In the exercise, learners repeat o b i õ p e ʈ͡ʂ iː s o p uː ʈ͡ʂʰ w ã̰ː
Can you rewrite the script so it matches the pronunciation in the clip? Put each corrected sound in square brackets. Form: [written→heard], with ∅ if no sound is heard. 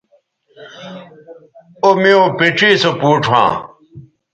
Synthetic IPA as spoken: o [b→m] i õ p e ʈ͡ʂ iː s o p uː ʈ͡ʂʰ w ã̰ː